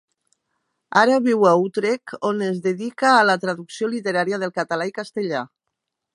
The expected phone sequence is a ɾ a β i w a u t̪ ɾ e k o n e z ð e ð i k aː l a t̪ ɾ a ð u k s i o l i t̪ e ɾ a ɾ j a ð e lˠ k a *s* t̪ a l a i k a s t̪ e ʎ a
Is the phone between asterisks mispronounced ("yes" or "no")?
yes